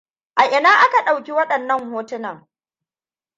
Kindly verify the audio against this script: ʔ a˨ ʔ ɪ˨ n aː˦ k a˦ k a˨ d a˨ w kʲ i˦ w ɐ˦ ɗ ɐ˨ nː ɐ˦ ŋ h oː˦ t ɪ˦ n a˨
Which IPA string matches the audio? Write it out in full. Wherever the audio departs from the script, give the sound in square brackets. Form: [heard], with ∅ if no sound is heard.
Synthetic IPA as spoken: ʔ a˨ ʔ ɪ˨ n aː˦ [ʔ] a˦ k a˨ [ɗ] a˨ w kʲ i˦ w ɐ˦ ɗ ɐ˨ nː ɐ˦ ŋ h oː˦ t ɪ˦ n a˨